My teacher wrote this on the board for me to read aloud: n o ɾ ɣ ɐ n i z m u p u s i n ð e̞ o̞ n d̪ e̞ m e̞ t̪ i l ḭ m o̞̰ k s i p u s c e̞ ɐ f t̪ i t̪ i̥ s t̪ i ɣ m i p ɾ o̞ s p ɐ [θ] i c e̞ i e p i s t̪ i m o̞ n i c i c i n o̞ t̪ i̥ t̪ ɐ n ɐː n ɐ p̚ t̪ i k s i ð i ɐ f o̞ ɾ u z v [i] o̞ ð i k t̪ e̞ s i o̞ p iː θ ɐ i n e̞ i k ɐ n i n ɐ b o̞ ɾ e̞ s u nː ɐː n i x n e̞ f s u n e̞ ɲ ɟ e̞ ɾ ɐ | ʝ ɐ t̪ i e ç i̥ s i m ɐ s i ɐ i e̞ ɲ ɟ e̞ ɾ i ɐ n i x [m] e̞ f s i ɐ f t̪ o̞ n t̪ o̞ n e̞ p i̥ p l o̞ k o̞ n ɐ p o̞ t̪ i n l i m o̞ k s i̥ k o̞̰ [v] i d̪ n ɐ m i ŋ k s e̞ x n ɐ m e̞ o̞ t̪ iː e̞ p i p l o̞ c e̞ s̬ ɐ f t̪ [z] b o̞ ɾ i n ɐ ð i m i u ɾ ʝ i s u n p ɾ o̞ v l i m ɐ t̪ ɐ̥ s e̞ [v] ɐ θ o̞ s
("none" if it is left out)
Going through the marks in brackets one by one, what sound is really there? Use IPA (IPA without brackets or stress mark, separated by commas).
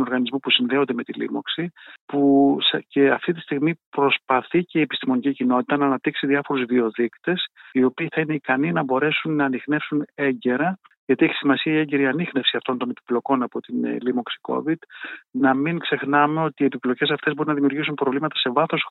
θ, i, n, v, z, v